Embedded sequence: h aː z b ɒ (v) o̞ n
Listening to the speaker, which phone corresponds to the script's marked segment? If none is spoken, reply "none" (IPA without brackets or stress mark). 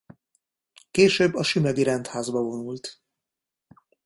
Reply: v